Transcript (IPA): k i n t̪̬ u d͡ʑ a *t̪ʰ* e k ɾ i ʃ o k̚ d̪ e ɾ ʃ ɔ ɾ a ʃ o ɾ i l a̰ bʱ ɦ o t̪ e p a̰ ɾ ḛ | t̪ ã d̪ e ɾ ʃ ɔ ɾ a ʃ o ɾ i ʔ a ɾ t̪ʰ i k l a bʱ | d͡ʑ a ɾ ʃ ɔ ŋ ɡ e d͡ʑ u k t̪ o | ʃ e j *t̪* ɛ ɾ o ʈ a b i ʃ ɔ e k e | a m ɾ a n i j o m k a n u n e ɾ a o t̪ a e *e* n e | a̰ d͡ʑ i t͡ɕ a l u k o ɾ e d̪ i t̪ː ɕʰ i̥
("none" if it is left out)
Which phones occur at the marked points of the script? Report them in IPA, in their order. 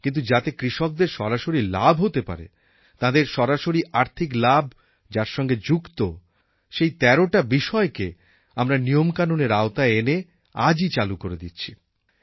t̪, t̪, e

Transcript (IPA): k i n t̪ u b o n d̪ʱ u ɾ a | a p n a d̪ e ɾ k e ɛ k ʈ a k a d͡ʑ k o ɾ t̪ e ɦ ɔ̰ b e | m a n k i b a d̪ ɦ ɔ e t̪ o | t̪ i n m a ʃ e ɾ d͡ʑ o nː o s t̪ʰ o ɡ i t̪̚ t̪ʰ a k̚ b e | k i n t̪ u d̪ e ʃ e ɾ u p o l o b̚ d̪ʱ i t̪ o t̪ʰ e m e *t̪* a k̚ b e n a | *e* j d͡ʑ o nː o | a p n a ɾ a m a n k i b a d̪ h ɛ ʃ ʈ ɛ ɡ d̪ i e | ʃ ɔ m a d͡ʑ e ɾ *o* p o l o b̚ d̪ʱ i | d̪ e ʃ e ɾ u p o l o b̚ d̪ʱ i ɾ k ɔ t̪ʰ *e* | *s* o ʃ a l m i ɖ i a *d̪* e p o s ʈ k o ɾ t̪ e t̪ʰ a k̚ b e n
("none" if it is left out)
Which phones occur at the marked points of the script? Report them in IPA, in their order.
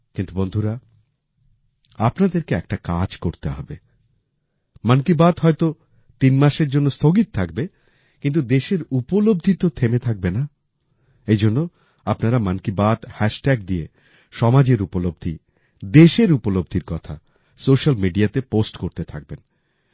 t̪ʰ, e, u, a, s, t̪

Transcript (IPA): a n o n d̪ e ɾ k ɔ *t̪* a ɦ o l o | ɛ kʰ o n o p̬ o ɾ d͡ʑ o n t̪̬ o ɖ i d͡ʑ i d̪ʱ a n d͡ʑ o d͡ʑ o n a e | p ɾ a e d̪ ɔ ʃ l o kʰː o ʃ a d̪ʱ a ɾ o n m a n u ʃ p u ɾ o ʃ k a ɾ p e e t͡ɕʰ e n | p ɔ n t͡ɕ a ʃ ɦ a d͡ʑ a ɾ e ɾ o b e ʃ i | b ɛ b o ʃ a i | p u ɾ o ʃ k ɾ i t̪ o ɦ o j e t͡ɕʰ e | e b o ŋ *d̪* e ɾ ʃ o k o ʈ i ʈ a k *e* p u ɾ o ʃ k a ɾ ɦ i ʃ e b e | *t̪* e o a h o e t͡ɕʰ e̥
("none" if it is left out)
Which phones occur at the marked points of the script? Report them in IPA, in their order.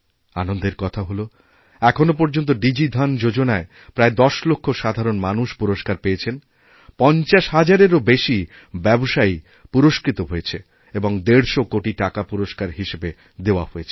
t̪ʰ, d̪, a, d̪

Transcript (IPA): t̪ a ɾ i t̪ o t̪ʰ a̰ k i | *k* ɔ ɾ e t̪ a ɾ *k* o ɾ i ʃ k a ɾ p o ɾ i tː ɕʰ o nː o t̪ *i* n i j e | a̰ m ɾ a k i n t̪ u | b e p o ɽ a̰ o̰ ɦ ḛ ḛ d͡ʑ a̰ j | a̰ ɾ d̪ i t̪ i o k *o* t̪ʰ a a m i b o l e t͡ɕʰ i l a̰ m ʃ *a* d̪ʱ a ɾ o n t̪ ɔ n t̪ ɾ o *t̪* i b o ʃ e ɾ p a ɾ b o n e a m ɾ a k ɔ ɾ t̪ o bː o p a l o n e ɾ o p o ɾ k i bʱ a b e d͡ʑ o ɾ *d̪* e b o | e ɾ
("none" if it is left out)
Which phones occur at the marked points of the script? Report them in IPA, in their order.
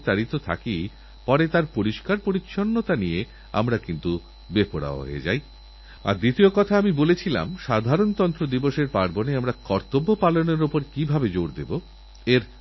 p, p, a, ɔ, a, d̪, d̪

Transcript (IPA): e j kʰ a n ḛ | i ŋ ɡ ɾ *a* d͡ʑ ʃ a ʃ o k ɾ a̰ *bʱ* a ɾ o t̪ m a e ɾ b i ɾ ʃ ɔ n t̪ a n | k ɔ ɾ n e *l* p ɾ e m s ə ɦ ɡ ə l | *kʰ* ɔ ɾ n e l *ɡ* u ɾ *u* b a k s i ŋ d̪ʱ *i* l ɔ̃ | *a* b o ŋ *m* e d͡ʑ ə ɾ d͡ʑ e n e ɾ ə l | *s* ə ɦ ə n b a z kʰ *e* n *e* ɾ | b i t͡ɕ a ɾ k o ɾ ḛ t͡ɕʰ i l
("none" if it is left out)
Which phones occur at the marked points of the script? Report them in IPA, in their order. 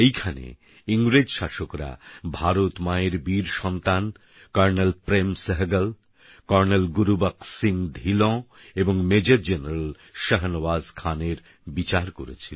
e, bʱ, l, k, ɡ, u, i, e, m, ʃ, a, e

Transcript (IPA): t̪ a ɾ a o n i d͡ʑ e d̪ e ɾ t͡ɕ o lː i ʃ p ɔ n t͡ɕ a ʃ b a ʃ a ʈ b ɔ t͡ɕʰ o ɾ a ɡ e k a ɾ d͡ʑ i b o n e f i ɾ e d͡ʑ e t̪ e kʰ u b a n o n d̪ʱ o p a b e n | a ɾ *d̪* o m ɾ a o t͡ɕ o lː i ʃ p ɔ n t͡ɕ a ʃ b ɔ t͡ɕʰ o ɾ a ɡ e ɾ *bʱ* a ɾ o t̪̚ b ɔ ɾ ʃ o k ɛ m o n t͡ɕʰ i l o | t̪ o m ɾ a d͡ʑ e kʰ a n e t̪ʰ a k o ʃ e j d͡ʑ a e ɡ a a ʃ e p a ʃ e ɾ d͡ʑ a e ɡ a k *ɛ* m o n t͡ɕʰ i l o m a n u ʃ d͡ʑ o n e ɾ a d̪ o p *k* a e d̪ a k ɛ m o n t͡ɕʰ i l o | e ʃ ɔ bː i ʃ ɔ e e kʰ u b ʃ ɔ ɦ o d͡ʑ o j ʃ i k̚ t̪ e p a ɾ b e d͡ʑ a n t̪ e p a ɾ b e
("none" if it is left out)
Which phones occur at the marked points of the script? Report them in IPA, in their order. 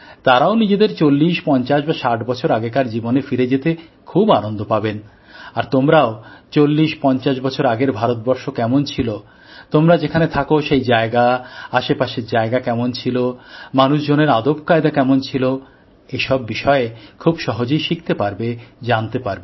t̪, bʱ, ɛ, k

